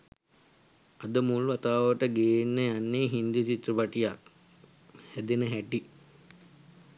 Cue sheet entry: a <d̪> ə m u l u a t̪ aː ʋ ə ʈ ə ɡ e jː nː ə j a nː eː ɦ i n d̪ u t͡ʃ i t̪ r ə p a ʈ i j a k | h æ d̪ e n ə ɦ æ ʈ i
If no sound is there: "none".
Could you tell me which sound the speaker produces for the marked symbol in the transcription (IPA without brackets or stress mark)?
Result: d̪